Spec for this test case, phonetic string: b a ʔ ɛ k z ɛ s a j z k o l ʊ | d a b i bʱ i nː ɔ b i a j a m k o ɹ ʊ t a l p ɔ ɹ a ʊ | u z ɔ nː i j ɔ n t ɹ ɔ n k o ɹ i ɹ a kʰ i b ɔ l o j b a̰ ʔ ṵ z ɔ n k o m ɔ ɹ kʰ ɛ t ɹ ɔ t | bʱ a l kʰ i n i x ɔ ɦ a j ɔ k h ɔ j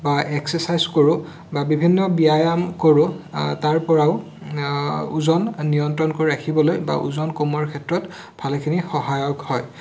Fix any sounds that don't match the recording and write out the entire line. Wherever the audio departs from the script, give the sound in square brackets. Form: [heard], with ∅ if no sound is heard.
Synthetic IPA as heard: b a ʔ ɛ k [s] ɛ s a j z k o [ɹ] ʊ | [b] a b i bʱ i nː ɔ b i a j a m k o ɹ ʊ t a [ɹ] p ɔ ɹ a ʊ | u z ɔ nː i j ɔ n t ɹ ɔ n k o ɹ i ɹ a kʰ i b ɔ l o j b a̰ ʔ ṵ z ɔ n k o m ɔ ɹ kʰ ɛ t ɹ ɔ t | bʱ a l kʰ i n i x ɔ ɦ a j ɔ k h ɔ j